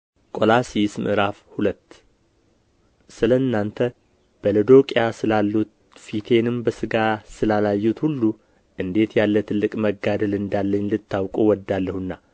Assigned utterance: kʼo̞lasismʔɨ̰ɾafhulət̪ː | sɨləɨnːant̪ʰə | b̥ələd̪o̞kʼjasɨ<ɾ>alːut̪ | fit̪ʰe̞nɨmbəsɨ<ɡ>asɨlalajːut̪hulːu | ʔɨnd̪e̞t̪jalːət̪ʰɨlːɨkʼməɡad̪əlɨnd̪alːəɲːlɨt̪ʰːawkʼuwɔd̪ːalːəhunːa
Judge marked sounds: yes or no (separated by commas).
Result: no, yes